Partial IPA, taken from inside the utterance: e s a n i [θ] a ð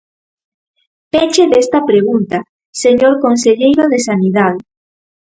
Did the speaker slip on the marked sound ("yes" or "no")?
yes